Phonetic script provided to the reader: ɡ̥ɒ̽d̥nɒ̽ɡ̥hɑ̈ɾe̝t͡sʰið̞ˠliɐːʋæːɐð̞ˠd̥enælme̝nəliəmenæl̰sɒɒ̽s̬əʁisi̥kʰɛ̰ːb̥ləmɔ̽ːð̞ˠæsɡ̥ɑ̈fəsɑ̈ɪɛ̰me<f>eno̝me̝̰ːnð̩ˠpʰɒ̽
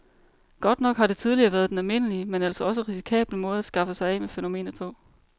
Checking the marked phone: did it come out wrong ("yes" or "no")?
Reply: no